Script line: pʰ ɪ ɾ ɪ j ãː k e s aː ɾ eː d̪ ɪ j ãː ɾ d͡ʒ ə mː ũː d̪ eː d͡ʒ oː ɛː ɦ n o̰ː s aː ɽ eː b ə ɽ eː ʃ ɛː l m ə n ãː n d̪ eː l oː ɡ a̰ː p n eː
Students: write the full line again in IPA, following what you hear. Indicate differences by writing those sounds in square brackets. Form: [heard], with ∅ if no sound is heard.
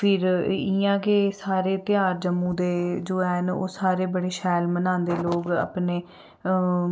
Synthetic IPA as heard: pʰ ɪ ɾ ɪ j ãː k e s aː ɾ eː [t̪] ɪ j [aː] ɾ d͡ʒ ə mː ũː d̪ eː d͡ʒ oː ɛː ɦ n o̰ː s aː [ɾ] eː b ə ɽ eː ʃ ɛː l m ə n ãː n d̪ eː l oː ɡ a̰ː p n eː